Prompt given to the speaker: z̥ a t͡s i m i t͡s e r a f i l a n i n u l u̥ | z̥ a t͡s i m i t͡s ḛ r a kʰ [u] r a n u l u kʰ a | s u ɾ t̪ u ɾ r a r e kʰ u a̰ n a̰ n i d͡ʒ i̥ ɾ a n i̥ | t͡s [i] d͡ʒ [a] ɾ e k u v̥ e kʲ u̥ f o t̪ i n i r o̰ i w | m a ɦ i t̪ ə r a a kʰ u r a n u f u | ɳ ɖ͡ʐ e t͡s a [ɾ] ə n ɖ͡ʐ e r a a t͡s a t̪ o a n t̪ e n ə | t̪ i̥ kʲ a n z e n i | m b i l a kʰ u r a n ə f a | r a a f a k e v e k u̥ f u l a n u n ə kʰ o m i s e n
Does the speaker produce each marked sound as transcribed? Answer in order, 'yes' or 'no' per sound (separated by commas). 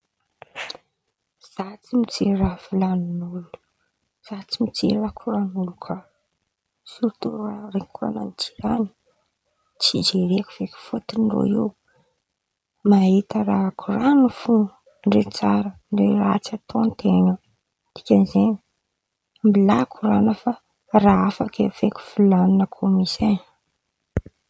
yes, yes, no, yes